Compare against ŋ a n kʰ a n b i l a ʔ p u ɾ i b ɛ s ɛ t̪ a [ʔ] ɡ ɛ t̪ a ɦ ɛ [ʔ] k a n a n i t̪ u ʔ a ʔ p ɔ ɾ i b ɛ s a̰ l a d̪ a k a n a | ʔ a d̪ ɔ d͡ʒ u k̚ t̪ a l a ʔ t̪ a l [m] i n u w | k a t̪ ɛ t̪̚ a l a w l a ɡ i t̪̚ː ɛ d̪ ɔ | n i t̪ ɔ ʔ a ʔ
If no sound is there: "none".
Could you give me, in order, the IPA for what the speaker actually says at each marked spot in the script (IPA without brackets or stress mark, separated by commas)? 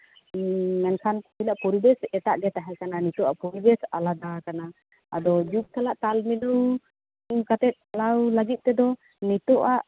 ʔ, none, m